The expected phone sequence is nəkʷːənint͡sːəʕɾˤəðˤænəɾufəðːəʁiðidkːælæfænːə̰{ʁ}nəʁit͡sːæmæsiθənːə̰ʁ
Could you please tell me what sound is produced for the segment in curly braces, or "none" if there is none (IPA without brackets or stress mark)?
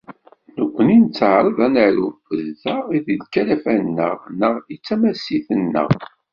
ʁ